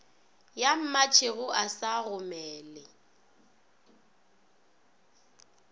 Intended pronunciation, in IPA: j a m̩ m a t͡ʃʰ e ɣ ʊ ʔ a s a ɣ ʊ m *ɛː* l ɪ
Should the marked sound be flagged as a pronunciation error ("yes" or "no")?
no